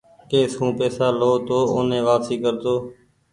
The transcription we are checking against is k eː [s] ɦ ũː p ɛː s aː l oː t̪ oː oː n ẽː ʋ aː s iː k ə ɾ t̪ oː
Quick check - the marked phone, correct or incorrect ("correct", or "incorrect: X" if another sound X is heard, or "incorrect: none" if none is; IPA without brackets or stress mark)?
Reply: correct